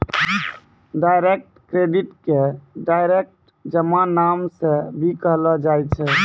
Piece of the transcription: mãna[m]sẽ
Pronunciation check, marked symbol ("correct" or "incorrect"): correct